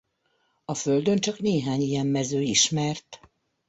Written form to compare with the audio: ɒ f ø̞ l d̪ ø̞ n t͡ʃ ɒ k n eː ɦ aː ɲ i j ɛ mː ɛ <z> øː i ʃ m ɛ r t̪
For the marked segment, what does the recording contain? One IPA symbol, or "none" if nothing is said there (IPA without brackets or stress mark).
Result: z